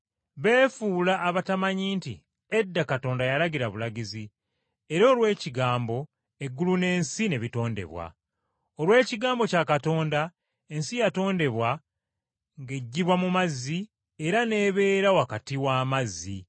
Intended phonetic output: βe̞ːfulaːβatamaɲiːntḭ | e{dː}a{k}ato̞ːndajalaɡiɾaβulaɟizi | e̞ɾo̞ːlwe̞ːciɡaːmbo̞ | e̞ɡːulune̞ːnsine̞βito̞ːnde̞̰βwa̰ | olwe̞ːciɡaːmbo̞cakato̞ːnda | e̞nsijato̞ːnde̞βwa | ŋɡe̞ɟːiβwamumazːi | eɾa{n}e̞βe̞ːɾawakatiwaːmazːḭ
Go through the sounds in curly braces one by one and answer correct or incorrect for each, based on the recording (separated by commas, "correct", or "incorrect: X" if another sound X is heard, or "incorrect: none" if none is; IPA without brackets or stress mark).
correct, correct, correct